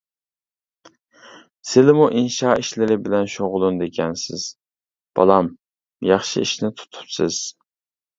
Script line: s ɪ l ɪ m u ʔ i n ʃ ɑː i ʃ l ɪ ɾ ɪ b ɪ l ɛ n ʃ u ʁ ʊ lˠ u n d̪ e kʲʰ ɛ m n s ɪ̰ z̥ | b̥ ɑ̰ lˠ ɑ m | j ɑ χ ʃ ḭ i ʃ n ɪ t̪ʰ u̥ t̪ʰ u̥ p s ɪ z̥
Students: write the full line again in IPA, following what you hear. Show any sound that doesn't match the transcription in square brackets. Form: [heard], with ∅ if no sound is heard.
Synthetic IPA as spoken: s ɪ l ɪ m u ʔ i n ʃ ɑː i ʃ l ɪ ɾ ɪ b ɪ l ɛ n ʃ [o] ʁ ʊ lˠ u n d̪ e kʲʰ ɛ [∅] n s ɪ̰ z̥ | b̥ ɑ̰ lˠ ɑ m | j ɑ χ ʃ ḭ i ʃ n ɪ t̪ʰ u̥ t̪ʰ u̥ p s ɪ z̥